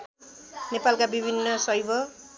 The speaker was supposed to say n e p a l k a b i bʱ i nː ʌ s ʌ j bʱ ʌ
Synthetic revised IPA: n e p a l k a b i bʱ i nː ʌ s ʌ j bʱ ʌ